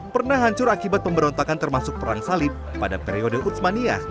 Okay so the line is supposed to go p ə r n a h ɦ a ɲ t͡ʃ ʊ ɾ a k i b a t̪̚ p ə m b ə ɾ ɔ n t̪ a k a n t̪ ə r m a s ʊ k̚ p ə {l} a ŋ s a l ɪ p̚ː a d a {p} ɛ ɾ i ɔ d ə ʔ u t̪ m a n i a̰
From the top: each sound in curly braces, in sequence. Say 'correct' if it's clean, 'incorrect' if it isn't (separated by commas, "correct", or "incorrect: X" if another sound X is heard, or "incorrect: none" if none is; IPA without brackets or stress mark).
incorrect: ɾ, correct